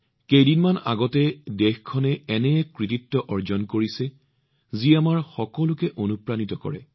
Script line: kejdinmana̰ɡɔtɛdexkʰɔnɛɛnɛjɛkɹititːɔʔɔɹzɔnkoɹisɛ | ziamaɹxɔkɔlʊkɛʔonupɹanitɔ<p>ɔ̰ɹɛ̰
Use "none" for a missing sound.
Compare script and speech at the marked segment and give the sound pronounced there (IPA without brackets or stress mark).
k